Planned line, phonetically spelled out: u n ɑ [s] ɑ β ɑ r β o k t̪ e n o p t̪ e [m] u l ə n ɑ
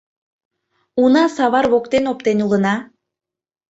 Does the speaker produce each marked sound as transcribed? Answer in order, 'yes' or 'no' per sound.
yes, no

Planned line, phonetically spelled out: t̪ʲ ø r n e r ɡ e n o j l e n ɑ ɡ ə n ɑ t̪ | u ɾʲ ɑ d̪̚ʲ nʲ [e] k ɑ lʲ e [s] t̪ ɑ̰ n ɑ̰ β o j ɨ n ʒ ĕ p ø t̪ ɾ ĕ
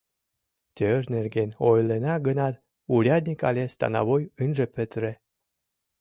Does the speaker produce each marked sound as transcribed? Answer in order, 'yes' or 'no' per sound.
no, yes

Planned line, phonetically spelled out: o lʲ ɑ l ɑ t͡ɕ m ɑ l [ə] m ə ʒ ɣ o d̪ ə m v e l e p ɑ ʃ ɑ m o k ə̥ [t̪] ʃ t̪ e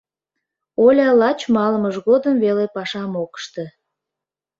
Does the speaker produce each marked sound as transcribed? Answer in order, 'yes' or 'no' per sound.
yes, no

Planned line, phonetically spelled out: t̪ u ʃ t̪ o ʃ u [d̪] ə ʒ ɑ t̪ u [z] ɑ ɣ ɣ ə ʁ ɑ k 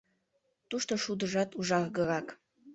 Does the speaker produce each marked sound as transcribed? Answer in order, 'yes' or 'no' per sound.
yes, no

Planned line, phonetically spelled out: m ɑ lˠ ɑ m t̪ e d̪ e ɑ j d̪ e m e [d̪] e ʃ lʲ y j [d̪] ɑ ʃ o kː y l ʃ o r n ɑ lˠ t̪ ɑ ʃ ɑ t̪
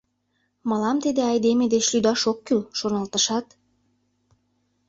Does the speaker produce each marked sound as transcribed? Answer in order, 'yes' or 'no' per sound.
yes, yes

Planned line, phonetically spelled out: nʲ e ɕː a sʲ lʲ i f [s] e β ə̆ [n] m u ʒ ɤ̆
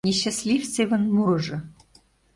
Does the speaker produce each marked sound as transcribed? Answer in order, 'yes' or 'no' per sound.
yes, yes

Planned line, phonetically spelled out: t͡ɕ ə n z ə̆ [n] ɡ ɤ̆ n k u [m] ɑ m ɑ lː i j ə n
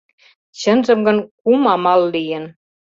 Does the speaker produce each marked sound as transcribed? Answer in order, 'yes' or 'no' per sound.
no, yes

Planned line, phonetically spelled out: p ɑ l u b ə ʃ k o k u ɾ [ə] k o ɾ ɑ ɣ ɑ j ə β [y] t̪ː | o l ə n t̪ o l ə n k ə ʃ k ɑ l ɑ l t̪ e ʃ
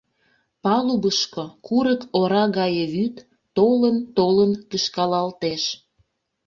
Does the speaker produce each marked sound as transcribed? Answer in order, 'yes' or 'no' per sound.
yes, yes

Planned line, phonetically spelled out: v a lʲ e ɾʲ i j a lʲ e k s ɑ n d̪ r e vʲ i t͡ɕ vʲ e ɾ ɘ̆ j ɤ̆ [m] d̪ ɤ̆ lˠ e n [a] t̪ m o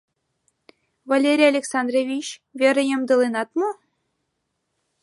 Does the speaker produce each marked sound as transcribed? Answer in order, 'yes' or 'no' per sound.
yes, no

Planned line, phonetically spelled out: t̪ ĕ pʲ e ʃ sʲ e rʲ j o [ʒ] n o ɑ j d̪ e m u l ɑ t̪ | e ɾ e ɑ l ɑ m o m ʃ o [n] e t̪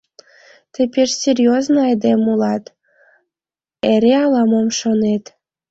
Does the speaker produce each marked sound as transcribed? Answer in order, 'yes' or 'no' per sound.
no, yes

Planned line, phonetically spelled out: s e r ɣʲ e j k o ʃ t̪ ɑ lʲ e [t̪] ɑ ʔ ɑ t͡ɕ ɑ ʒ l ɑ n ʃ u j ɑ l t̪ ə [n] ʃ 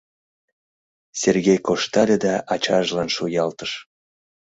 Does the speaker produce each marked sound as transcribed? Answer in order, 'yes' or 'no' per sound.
no, no

